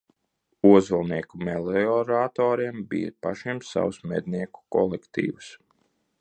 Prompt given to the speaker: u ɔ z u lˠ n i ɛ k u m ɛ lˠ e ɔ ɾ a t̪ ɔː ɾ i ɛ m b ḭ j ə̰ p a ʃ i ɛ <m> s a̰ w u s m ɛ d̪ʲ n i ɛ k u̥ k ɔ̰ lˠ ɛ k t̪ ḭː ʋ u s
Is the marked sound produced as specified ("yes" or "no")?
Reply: yes